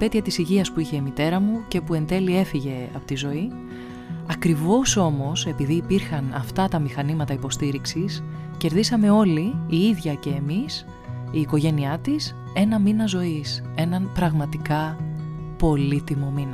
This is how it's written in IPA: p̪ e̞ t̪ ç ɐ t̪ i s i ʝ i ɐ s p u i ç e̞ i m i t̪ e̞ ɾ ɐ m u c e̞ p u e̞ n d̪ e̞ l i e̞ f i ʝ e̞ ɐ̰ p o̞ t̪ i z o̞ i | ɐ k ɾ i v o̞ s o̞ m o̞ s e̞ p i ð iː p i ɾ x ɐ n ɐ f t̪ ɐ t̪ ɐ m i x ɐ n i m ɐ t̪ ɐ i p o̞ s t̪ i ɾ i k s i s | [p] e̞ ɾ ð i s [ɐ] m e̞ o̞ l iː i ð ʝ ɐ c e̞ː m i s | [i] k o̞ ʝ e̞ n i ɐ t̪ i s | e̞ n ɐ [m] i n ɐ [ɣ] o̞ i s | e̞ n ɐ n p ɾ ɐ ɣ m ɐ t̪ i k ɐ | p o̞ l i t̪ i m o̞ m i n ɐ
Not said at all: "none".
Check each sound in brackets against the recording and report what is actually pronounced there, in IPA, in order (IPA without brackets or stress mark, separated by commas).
c, ɐ, iː, m, z